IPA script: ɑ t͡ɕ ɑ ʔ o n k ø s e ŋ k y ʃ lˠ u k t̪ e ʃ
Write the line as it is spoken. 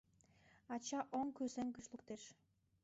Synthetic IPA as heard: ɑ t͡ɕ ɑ ʔ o ŋ k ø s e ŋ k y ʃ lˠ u k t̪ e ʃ